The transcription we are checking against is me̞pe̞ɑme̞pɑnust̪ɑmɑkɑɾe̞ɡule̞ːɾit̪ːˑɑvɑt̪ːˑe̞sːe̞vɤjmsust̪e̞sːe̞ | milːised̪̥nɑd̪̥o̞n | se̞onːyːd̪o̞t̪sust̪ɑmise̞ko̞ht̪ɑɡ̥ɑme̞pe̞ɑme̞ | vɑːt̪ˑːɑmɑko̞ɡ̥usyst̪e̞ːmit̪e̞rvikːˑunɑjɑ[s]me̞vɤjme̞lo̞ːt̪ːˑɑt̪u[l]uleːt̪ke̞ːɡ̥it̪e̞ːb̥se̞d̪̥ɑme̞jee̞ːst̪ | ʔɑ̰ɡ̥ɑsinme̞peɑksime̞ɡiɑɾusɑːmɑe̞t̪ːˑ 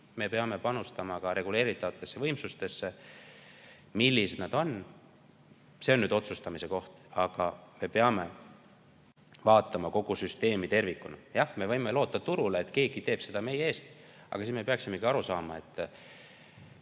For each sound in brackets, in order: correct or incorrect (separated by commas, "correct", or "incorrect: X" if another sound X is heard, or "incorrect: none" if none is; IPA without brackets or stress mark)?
incorrect: h, incorrect: ɾ